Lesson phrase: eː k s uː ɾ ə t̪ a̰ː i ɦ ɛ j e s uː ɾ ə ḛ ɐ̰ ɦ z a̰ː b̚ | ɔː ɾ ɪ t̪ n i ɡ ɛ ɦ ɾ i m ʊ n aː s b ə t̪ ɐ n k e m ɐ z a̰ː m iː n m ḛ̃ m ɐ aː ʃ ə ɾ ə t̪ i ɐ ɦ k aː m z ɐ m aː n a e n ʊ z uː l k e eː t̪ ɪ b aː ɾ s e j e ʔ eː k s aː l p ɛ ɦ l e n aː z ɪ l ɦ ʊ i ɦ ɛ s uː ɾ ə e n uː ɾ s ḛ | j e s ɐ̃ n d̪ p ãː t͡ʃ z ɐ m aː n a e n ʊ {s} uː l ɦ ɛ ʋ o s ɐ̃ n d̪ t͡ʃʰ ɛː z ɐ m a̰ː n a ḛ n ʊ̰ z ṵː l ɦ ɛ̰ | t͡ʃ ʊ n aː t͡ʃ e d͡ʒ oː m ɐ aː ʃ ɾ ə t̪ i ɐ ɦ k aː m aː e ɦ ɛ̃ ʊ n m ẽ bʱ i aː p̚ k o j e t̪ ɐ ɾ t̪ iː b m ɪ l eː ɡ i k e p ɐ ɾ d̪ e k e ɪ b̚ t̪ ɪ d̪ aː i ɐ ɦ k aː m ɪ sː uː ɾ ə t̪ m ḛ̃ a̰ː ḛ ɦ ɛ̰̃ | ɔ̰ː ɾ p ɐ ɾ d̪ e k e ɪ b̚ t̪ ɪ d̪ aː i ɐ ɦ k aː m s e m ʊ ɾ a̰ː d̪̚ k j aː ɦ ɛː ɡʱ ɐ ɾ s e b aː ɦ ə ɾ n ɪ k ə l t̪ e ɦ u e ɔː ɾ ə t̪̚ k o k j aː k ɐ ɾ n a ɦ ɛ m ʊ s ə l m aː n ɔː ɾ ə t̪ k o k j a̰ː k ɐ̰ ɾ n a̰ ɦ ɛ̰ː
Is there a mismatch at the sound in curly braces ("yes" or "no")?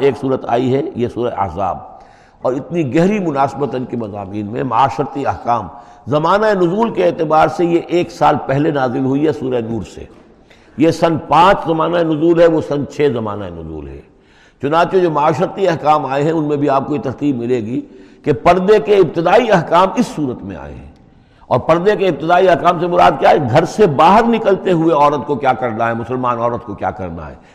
yes